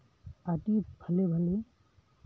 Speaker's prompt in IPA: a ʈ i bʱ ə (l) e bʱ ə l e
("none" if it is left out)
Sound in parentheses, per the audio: l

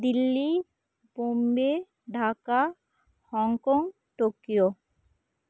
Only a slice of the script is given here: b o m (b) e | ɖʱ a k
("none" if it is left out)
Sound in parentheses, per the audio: b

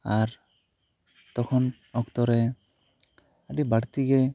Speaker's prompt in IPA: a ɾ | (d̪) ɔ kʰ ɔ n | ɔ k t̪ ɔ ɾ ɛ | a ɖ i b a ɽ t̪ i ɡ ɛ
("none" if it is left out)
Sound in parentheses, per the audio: t̪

